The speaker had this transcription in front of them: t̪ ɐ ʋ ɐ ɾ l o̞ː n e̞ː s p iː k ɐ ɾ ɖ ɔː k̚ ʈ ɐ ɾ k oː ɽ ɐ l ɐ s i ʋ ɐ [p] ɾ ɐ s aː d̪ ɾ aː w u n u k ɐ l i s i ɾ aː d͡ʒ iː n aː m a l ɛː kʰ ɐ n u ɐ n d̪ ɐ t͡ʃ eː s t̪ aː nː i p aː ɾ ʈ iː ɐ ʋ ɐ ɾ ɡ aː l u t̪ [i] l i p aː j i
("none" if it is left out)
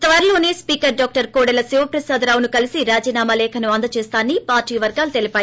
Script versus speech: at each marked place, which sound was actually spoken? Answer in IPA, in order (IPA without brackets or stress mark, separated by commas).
p, e